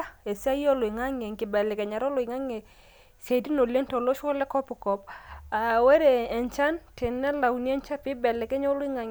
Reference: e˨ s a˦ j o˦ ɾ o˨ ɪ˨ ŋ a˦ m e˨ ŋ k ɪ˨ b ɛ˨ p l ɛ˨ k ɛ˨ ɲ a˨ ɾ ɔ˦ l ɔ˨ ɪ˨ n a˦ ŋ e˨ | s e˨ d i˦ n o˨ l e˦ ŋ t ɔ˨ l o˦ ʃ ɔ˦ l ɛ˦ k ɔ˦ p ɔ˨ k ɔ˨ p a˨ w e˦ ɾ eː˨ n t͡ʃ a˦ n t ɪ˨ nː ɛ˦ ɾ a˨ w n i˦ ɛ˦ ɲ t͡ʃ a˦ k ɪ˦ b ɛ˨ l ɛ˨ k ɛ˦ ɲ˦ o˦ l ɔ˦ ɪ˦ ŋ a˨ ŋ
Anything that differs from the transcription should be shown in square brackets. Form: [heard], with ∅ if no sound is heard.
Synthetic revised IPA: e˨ s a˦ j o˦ [l] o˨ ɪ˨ ŋ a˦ [ŋ] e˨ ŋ k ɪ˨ b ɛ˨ [∅] l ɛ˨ k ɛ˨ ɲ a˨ ɾ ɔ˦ l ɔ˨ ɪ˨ [ŋ] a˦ ŋ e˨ | s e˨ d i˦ n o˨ l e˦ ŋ t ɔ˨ l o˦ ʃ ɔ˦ l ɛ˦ k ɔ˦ p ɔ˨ k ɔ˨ p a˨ w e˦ ɾ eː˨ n t͡ʃ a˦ n t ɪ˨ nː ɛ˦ [l] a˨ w n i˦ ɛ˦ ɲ t͡ʃ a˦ [p] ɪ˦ b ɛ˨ l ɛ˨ k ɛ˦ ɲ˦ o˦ l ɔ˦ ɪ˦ ŋ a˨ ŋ

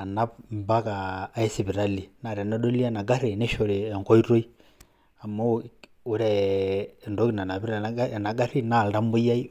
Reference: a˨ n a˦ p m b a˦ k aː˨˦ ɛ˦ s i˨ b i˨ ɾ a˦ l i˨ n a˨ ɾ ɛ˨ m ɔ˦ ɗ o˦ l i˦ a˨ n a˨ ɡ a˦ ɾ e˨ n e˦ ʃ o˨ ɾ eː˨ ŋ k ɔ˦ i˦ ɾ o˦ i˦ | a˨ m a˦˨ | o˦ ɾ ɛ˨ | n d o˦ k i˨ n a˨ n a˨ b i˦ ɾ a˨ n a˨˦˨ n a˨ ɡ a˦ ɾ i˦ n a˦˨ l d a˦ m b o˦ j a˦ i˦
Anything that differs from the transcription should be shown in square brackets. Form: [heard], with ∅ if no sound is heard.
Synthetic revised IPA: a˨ n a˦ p m b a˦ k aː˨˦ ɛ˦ s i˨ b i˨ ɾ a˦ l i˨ n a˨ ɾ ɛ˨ [n] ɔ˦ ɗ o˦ l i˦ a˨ n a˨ ɡ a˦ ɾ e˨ n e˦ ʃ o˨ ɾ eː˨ ŋ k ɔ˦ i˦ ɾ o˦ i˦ | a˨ m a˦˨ | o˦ ɾ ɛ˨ | n d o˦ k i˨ n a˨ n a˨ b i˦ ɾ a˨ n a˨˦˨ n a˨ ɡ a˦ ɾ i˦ n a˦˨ l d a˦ m b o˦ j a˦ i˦

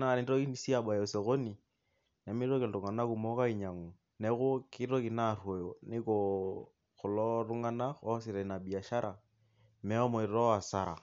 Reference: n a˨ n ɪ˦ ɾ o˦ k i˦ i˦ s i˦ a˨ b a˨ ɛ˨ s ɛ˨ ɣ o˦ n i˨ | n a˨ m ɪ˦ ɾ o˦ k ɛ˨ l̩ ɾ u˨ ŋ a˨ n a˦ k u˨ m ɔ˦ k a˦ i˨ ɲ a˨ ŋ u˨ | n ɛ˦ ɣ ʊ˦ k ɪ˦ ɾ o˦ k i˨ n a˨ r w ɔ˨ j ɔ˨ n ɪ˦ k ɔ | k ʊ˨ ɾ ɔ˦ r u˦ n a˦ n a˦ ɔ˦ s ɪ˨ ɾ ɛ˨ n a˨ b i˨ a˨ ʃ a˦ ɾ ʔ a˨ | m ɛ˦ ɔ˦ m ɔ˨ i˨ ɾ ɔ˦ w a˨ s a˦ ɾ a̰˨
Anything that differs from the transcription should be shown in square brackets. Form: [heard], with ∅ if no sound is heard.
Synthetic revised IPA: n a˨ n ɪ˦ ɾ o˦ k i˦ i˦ s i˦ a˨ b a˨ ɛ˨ s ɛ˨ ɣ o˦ n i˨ | n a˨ m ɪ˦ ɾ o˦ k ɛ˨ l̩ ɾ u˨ ŋ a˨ n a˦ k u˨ m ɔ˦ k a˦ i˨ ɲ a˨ ŋ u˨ | n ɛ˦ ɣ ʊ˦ k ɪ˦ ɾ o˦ k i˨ n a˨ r w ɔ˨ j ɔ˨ n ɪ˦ k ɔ | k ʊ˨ [l] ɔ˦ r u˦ [ŋ] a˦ n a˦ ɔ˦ s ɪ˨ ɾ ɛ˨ n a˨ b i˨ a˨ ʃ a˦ ɾ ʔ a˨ | m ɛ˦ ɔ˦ m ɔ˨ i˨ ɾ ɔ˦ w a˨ s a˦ ɾ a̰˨

